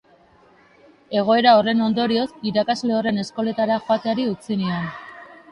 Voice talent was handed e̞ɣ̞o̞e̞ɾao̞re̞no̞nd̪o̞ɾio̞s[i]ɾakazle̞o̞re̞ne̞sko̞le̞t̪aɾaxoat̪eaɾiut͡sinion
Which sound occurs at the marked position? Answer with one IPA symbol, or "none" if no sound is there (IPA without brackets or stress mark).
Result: i